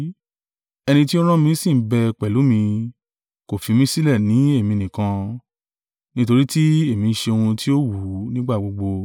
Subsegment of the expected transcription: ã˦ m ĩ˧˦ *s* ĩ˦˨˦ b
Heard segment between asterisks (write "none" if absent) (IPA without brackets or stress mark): s